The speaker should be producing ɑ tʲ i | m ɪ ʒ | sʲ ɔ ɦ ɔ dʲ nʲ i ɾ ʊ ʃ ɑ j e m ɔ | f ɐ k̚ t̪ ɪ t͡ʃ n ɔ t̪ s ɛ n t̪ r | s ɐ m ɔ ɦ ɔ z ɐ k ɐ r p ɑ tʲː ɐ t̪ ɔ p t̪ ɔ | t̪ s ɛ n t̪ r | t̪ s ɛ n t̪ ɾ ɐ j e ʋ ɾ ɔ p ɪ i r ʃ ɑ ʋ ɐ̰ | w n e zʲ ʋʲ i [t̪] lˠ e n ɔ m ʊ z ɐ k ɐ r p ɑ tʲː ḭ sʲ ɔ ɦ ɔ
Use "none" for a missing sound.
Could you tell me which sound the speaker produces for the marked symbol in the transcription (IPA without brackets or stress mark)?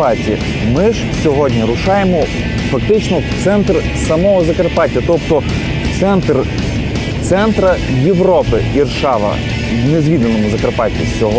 d̪